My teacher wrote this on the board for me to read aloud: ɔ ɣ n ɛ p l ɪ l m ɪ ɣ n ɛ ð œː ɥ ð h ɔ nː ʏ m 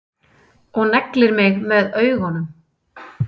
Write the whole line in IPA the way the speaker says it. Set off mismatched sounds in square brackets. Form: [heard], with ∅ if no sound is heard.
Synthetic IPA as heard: ɔ ɣ n ɛ [k] l ɪ [ɾ] m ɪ ɣ [m] ɛ ð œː ɥ [ɣ] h ɔ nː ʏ m